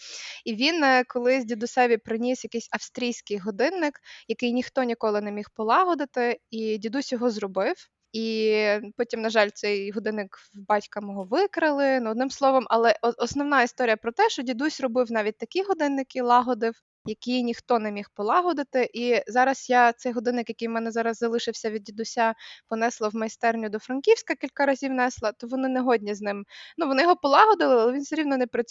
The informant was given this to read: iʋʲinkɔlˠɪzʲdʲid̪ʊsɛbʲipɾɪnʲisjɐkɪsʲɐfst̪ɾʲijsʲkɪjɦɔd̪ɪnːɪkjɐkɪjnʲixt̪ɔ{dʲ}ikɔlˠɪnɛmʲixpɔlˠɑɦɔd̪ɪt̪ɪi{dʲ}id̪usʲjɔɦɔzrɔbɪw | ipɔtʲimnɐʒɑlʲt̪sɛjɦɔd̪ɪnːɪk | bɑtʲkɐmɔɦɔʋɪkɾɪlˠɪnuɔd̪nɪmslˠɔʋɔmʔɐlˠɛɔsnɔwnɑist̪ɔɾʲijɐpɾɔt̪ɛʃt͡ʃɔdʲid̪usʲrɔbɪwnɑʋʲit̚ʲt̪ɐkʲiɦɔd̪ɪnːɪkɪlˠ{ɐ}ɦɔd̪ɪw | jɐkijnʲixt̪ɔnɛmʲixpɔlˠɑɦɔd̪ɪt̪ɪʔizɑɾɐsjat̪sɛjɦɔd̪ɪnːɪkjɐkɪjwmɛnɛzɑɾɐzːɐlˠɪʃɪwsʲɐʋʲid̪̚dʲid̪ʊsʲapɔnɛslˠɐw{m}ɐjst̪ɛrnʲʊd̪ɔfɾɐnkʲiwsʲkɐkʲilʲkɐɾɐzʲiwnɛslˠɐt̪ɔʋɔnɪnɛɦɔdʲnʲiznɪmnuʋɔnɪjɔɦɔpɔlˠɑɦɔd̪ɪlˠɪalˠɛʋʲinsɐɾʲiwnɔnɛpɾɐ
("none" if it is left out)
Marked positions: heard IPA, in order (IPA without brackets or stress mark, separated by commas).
nʲ, dʲ, ɑ, m